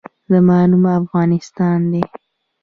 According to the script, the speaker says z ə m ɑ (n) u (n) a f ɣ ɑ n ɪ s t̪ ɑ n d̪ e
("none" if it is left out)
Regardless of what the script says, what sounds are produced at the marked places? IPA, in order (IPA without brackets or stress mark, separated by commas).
n, m